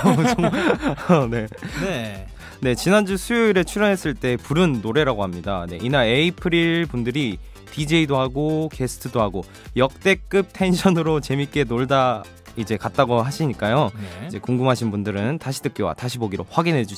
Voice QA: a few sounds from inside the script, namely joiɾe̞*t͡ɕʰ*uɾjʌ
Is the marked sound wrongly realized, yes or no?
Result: no